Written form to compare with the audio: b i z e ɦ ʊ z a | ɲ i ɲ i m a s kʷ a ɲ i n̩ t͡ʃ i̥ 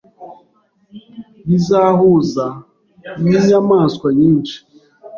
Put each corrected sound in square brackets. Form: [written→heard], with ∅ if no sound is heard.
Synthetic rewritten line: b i z [e→a] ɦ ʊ z a | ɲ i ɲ [i→a] m a s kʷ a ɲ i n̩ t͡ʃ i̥